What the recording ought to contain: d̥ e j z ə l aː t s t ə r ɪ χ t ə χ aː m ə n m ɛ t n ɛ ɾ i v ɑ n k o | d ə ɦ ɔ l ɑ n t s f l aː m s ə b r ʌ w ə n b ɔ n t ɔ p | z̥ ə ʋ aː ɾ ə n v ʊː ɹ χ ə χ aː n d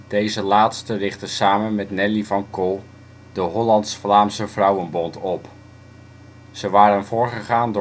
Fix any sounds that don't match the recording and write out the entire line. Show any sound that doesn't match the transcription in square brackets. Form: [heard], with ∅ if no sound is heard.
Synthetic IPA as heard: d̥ e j z ə l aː t s t ə r ɪ χ t ə [s] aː m ə n m ɛ t n ɛ [l] i v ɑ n k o | d ə ɦ ɔ l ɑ n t s f l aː m s ə [v] r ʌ w ə n b ɔ n t ɔ p | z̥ ə ʋ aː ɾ ə n v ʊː ɹ χ ə χ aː n d